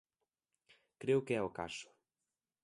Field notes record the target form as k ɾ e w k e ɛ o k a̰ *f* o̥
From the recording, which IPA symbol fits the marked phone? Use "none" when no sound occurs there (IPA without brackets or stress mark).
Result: ʃ